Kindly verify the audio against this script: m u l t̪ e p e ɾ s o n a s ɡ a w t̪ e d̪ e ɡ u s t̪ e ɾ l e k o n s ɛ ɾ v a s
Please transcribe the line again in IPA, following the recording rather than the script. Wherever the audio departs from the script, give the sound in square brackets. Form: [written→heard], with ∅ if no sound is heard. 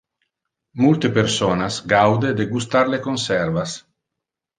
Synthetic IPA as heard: m u l t̪ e p e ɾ s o n a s ɡ a w [t̪→d̪] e d̪ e ɡ u s t̪ [e→a] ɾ l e k o n s ɛ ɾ v a s